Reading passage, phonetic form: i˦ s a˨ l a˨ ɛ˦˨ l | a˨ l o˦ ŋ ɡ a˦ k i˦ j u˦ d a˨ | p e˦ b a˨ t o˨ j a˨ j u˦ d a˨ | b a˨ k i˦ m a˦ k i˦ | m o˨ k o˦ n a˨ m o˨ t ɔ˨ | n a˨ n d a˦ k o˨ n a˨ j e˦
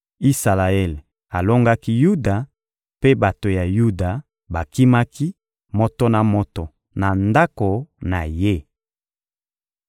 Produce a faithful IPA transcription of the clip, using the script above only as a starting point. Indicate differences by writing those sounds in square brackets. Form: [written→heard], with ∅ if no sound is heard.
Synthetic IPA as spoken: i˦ s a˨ l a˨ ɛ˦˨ l | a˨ l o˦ ŋ ɡ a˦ k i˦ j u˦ d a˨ | p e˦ b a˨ t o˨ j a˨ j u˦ d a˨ | b a˨ k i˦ m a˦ k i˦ | m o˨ [k→t] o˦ n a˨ m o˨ t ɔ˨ | n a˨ n d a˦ k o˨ n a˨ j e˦